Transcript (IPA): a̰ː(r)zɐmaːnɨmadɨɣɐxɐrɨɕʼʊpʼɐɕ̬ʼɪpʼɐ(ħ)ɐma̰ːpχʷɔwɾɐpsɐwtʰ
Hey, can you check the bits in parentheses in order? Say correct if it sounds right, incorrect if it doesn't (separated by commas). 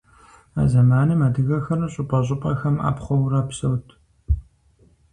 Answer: incorrect, incorrect